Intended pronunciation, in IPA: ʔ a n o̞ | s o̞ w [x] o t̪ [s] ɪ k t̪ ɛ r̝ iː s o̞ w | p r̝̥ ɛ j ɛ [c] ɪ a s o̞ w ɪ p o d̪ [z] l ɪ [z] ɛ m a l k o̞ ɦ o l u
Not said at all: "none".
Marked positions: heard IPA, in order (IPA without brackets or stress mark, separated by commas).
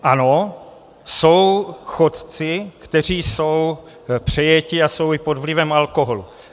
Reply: x, t͡s, c, v, v